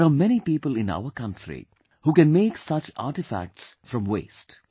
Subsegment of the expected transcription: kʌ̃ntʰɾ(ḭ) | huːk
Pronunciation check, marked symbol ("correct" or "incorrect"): correct